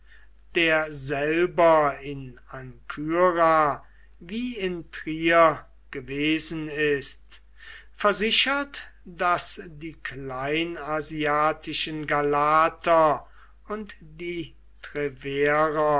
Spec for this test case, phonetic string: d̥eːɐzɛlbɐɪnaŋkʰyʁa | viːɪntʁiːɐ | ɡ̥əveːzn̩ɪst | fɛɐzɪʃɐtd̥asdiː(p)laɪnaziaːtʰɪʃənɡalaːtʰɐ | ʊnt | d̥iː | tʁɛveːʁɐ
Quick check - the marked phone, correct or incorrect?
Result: incorrect